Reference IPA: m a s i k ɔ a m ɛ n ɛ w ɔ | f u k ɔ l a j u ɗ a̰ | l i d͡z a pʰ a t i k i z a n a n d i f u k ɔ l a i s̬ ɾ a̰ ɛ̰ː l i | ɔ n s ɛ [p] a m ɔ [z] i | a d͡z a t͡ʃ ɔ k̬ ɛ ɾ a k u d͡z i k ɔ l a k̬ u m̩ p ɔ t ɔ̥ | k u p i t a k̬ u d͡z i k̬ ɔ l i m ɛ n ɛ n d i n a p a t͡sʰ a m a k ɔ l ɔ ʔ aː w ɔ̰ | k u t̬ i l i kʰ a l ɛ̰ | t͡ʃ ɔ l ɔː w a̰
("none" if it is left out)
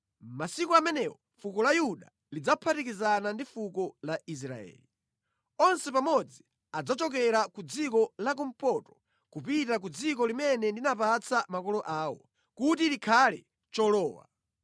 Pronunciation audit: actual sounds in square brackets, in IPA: p, d͡z

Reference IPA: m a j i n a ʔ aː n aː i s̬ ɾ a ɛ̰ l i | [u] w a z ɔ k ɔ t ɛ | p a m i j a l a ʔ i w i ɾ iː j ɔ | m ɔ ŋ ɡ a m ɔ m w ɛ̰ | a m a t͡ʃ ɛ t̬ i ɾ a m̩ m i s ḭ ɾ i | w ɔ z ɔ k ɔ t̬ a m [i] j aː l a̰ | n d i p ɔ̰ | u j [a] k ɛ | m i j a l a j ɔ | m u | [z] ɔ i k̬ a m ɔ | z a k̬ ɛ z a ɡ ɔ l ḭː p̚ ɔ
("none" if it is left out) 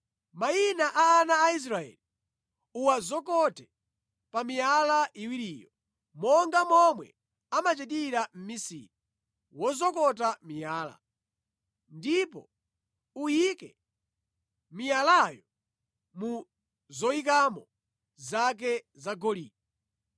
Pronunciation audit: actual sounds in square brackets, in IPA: u, i, i, z

